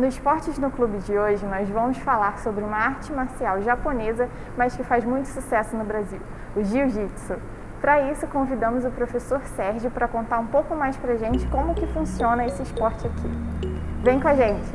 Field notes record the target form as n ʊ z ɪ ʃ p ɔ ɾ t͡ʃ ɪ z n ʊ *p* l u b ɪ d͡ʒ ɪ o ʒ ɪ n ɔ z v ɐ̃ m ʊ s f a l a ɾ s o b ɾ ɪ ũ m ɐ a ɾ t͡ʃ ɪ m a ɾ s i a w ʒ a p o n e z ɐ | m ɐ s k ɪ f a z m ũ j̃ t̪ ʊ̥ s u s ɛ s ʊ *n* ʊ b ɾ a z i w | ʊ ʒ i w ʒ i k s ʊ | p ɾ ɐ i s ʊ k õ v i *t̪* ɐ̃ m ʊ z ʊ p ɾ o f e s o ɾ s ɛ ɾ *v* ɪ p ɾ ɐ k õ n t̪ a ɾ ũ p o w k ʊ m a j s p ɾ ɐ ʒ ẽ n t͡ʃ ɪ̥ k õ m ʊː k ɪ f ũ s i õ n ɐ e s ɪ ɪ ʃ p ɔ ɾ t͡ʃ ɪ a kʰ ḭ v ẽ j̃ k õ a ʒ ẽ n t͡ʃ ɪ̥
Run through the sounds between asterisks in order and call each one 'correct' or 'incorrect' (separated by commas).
incorrect, correct, incorrect, incorrect